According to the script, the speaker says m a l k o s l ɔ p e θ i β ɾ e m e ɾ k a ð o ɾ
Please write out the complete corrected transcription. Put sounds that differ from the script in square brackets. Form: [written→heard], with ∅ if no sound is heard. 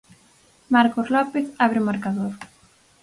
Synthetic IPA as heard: m a [l→ɾ] k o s l ɔ p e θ [i→a] β ɾ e m [e→a] ɾ k a ð o ɾ